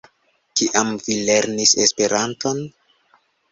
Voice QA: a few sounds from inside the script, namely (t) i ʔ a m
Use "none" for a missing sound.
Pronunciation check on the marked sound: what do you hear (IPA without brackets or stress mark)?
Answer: k